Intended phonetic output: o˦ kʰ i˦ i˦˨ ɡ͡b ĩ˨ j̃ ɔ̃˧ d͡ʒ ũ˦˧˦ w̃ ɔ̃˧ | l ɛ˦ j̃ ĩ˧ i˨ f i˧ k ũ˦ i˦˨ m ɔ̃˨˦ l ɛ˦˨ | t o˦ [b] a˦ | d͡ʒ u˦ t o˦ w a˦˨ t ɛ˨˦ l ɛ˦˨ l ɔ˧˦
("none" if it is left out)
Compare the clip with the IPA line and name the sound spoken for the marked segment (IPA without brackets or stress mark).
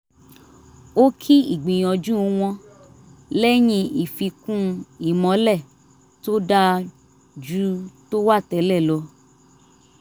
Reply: d